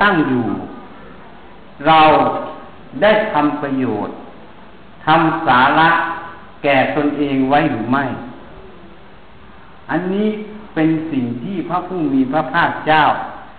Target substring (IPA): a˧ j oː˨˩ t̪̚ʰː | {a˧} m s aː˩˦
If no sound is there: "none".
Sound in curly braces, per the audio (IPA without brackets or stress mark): a˧